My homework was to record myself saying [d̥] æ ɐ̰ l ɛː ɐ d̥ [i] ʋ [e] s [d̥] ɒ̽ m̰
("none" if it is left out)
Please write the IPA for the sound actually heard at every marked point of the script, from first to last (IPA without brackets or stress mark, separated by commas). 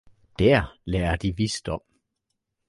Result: d̥, i, i, d̥